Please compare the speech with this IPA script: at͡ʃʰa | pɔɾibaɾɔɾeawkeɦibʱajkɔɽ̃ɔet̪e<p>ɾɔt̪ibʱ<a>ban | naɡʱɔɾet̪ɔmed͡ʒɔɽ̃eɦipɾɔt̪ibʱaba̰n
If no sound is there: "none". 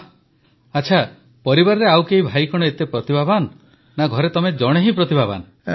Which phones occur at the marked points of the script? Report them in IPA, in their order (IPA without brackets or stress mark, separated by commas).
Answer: p, a